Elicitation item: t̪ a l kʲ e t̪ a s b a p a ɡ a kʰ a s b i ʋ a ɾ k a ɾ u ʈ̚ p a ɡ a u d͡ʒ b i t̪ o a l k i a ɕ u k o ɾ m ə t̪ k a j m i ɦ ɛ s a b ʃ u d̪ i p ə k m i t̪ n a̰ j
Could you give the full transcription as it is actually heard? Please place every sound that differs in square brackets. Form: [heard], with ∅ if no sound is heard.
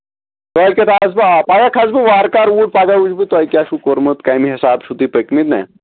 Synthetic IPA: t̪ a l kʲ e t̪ a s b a p a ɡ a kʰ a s b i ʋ a ɾ k a ɾ u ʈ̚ p a ɡ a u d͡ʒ b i t̪ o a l k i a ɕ u k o ɾ m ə t̪ k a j m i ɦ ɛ s a b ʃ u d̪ i p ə k m i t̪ n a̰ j